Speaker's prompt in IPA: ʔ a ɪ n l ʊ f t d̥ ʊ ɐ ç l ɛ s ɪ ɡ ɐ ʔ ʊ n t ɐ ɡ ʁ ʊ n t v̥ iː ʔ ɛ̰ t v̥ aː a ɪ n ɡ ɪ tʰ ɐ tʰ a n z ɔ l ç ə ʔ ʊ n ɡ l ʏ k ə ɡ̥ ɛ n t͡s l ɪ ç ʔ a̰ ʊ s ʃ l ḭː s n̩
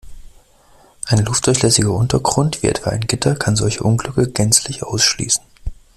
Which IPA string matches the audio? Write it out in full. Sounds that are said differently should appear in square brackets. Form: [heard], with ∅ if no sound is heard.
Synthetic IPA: ʔ a ɪ n l ʊ f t d̥ ʊ ɐ ç l ɛ s ɪ ɡ ɐ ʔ ʊ n t ɐ ɡ ʁ ʊ n t v̥ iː ʔ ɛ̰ t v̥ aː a ɪ n ɡ ɪ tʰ ɐ [kʰ] a n z ɔ l ç ə ʔ ʊ n ɡ l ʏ k ə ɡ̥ ɛ n t͡s l ɪ ç ʔ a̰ ʊ s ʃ l ḭː s n̩